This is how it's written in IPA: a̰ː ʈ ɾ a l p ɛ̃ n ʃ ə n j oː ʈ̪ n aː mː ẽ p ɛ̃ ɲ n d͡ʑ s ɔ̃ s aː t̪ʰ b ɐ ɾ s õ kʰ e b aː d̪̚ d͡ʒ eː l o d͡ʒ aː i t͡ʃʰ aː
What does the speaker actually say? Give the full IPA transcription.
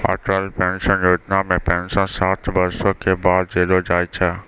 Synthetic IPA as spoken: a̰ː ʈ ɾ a l p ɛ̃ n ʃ ə n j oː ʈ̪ n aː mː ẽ p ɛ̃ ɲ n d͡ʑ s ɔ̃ s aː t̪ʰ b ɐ ɾ s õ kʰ e b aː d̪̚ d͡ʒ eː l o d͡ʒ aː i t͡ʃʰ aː